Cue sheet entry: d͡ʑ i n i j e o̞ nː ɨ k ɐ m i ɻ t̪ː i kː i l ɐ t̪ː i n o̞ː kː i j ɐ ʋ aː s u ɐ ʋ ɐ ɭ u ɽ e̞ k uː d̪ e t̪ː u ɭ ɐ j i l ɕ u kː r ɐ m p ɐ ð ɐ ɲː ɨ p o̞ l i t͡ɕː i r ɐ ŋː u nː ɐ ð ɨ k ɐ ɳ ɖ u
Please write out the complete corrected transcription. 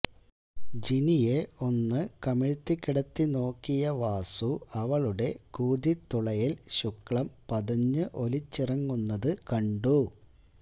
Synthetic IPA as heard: d͡ʑ i n i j e o̞ nː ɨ k ɐ m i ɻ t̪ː i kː i ɽ ɐ t̪ː i n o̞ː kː i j ɐ ʋ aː s u ɐ ʋ ɐ ɭ u ɽ e̞ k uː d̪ i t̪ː u ɭ ɐ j i l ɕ u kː ɭ ɐ m p ɐ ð ɐ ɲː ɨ ʔ o̞ l i t͡ɕː i r ɐ ŋː u nː ɐ ð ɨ k ɐ ɳ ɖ u

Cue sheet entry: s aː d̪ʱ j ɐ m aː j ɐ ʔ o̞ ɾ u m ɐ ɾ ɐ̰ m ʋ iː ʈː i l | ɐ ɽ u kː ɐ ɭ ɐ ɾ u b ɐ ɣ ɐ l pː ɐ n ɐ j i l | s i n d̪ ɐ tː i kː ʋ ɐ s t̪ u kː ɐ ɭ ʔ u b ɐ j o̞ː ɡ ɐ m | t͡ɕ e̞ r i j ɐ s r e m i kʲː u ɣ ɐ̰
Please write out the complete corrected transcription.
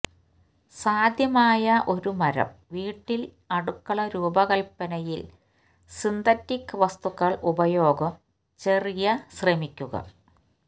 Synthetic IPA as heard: s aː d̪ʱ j ɐ m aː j ɐ ʔ o̞ ɾ u m ɐ ɾ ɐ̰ m ʋ iː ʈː i l | ɐ ɽ u kː ɐ ɭ ɐ ɾ uː b ɐ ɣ ɐ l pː ɐ n ɐ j i l | s i n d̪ ɐ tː i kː ʋ ɐ s t̪ u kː ɐ ɭ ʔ u b ɐ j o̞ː ɡ ɐ m | t͡ɕ e̞ r i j ɐ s r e m i kʲː u ɣ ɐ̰

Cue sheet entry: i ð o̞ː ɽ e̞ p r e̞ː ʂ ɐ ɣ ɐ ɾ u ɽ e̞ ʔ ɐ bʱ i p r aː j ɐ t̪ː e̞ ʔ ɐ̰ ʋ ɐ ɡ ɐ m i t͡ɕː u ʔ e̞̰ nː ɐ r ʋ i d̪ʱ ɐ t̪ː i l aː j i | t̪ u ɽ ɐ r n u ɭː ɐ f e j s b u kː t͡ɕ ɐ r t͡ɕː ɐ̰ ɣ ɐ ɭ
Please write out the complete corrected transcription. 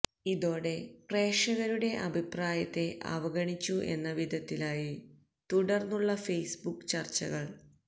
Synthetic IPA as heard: i ð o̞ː ɽ e̞ p r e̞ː ʂ ɐ ɣ ɐ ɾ u ɽ e̞ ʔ ɐ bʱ i p r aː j ɐ t̪ː e̞ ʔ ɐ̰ ʋ ɐ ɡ ɐ ɳ i t͡ɕː u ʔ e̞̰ nː ɐ ʋ i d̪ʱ ɐ t̪ː i l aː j i | t̪ u ɽ ɐ r n u ɭː ɐ f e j s b u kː t͡ɕ ɐ r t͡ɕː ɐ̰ ɣ ɐ ɭ

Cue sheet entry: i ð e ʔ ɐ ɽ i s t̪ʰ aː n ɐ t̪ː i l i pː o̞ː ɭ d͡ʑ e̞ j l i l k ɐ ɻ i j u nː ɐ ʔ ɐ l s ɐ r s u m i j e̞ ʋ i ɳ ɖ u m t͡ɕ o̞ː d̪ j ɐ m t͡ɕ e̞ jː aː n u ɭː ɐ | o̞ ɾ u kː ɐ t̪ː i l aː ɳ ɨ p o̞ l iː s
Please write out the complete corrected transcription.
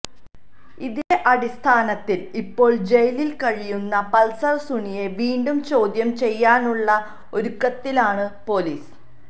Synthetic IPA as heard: i ð e ʔ ɐ ɽ i s t̪ʰ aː n ɐ t̪ː i l i pː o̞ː ɭ d͡ʑ e̞ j l i l k ɐ ɻ i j u nː ɐ p ɐ l s ɐ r s u ɳ i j e̞ ʋ iː ɳ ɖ u m t͡ɕ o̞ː d̪ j ɐ m t͡ɕ e̞ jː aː n u ɭː ɐ | o̞ ɾ u kː ɐ t̪ː i l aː ɳ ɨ p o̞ l iː s

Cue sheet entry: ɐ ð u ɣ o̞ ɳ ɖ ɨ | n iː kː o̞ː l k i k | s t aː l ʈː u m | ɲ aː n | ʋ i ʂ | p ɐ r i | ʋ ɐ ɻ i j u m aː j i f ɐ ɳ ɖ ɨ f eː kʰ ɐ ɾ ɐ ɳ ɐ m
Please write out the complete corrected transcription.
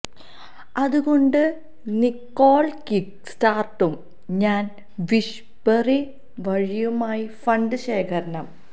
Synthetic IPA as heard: ɐ ð u ɣ o̞ ɳ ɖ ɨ | n i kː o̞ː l k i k | s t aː r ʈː u m | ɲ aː n | ʋ i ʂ | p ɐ r i | ʋ ɐ ɻ i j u m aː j i f ɐ ɳ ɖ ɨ ɕ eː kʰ ɐ ɾ ɐ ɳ ɐ m

